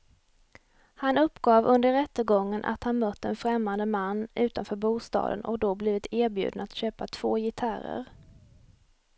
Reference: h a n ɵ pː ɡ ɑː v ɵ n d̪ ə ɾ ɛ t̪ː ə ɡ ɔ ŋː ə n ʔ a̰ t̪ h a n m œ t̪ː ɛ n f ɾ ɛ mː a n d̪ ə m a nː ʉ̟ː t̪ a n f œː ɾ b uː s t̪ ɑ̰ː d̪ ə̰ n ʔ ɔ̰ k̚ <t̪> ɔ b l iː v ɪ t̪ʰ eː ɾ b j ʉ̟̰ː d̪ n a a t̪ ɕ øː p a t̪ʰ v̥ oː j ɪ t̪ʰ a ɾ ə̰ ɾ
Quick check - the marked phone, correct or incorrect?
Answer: incorrect: d̪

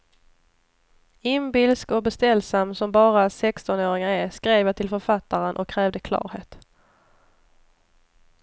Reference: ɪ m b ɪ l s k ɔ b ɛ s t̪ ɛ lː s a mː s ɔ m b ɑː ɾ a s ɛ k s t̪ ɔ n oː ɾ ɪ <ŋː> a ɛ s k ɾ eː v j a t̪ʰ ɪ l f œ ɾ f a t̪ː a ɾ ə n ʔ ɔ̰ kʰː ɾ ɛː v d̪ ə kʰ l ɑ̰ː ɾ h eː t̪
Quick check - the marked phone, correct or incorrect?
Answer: incorrect: ŋ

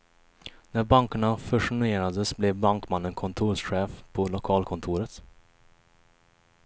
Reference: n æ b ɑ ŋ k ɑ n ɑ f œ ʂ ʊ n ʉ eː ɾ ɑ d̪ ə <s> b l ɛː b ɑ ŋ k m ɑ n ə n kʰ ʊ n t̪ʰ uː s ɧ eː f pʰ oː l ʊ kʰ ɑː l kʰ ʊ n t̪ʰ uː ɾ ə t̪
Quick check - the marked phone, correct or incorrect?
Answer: correct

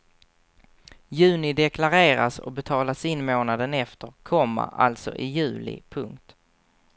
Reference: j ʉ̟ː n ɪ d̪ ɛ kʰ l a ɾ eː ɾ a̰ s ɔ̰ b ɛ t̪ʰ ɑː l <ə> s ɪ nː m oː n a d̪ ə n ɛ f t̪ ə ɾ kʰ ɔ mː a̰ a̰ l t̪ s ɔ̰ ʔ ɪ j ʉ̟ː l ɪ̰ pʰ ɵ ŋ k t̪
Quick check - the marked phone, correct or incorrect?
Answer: incorrect: a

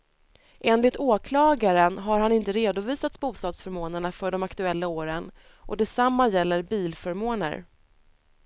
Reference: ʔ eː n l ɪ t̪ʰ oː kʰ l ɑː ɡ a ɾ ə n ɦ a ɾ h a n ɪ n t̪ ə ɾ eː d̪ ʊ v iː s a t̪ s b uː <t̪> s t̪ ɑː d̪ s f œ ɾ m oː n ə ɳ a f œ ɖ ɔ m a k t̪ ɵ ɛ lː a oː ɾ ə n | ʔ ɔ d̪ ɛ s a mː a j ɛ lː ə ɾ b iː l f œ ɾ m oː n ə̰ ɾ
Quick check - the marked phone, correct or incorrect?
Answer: incorrect: none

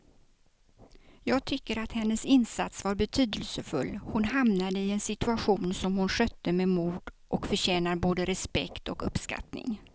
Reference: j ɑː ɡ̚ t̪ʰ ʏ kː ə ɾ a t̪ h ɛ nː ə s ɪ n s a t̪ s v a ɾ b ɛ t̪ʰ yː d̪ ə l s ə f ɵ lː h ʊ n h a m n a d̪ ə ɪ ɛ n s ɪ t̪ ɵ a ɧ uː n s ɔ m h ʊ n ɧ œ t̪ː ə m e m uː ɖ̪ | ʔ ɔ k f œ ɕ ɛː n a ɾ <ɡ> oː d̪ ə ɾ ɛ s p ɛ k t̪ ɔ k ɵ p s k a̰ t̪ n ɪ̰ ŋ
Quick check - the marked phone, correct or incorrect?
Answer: incorrect: b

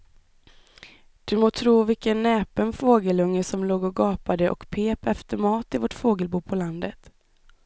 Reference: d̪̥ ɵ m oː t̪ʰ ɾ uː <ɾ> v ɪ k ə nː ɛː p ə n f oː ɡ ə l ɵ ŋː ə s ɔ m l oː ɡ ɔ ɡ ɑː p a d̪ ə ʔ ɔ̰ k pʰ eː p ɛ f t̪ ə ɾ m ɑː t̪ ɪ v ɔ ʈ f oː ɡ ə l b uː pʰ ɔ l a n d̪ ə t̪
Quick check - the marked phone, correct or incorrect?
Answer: incorrect: none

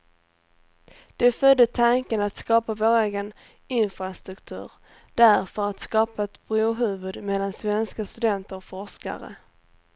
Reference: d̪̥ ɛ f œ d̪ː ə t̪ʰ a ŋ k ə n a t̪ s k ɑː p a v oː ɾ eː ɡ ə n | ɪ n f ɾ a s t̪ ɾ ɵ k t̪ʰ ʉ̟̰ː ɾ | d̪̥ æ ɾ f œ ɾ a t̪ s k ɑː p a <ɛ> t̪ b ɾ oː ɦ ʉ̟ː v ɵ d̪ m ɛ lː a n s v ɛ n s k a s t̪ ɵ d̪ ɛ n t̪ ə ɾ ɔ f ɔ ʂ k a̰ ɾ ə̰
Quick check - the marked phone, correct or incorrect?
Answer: correct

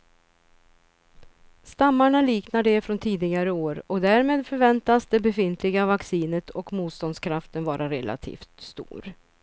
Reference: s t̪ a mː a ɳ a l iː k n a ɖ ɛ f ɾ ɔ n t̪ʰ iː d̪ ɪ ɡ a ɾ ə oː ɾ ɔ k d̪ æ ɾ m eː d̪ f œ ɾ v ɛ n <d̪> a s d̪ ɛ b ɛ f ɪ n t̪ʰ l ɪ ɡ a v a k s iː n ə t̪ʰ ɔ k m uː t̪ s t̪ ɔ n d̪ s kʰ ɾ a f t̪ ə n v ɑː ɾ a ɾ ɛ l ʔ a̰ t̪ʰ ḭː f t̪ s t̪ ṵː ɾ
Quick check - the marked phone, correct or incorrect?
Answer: incorrect: t̪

